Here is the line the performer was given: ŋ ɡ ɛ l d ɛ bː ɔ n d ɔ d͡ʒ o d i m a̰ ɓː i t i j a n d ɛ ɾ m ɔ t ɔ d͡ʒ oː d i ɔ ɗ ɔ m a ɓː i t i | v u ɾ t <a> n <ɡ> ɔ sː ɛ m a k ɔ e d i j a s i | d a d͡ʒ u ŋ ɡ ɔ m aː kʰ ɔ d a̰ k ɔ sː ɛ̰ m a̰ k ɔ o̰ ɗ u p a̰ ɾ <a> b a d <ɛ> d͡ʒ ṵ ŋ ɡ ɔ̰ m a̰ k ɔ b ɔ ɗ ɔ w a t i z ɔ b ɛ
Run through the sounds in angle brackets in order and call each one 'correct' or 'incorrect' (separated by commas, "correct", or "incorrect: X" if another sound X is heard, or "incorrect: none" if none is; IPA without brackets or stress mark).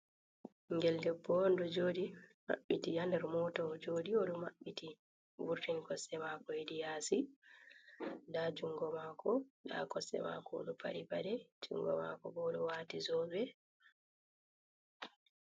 incorrect: i, incorrect: k, incorrect: i, correct